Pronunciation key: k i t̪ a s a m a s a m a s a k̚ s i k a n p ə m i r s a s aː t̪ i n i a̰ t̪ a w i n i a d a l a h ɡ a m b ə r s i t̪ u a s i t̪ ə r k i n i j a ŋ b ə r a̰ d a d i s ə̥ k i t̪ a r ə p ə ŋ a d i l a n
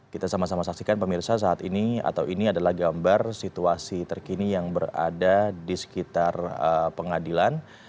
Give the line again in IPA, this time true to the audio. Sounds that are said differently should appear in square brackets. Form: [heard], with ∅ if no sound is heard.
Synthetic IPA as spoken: k i t̪ a s a m a s a m a s a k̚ s i k a n p ə m i r s a s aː t̪ i n i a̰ t̪ a w i n i a d a l a h ɡ a m b [a] r s i t̪ u a s i t̪ ə r k i n i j a ŋ b ə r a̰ d a d i s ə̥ k i t̪ a r ə p ə ŋ a d i l a n